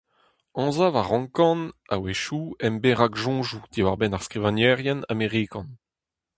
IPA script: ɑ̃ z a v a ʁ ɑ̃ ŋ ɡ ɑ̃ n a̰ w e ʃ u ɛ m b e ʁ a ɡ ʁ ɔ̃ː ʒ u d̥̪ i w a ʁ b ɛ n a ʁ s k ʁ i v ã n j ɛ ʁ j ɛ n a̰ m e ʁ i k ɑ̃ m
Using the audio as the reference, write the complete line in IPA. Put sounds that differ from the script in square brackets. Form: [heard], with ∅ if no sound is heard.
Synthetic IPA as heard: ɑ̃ z a v a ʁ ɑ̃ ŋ [k] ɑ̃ n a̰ w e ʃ u ɛ m b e ʁ a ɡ [ʒ] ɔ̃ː ʒ u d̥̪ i w a ʁ b ɛ n a ʁ s k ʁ i v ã n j ɛ ʁ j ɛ n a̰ m e ʁ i k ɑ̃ [n]